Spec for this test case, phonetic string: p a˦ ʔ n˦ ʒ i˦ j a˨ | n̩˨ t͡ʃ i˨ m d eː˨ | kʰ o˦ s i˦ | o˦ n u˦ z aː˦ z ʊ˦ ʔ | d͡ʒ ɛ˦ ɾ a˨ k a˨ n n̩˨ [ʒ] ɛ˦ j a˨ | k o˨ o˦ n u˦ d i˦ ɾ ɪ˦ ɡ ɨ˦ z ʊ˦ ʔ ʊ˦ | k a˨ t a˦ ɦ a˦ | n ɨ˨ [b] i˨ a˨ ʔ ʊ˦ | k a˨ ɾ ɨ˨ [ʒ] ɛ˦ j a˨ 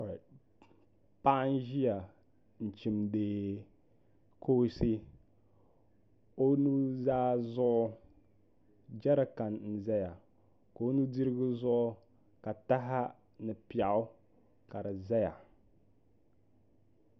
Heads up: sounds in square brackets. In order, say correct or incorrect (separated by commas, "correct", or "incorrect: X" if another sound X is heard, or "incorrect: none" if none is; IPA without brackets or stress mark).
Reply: incorrect: z, incorrect: p, incorrect: z